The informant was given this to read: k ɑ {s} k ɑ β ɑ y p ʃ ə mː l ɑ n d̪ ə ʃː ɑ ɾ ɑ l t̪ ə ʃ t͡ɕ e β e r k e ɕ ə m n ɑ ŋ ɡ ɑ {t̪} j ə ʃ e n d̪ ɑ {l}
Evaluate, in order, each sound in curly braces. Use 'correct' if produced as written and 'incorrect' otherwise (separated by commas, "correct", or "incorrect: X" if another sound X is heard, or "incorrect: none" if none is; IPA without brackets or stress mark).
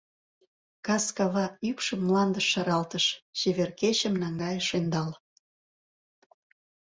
correct, incorrect: none, correct